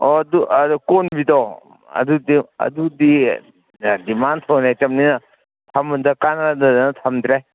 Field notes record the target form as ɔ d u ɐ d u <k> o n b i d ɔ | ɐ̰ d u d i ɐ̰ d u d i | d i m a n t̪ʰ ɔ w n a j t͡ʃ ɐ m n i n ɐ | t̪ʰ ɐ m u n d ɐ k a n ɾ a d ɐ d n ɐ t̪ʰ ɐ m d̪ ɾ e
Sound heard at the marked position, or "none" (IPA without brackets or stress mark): k